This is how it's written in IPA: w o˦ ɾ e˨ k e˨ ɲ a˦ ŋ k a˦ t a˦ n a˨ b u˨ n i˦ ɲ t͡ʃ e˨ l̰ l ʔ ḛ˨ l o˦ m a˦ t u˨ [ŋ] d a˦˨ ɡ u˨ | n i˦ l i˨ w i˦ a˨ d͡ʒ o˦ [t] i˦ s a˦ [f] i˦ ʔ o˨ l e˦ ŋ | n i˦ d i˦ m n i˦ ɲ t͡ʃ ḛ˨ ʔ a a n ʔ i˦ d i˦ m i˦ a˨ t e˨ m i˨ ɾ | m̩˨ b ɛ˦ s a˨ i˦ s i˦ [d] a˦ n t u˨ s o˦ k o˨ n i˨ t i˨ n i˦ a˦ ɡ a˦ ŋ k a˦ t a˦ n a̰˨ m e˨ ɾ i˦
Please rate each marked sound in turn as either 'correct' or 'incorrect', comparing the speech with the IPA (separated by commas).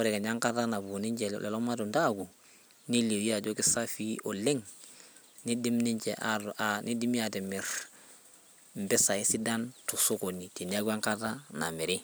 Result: incorrect, incorrect, correct, correct